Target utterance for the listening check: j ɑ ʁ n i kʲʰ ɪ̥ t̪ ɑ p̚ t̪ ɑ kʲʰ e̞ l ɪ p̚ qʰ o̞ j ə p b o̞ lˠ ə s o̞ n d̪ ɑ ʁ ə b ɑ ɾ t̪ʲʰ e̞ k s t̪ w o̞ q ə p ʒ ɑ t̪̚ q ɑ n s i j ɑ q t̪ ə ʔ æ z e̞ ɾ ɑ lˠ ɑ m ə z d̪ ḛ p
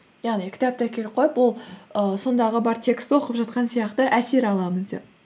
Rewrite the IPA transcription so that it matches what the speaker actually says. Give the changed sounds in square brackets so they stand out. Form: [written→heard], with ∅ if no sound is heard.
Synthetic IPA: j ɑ ʁ n i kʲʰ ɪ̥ t̪ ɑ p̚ t̪ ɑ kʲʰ e̞ l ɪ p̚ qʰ o̞ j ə p [b→w] o̞ lˠ ə s o̞ n d̪ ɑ ʁ ə b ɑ ɾ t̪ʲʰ e̞ k s t̪ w o̞ q ə p ʒ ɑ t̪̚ q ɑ n s i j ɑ q t̪ ə ʔ æ [z→s] e̞ ɾ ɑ lˠ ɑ m ə z d̪ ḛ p